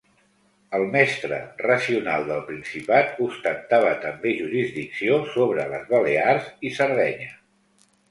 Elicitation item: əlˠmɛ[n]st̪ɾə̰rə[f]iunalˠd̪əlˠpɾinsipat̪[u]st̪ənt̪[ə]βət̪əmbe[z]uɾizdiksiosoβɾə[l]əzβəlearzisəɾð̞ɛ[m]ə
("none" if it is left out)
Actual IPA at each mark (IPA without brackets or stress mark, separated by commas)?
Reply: none, s, u, a, ʒ, l, ɲ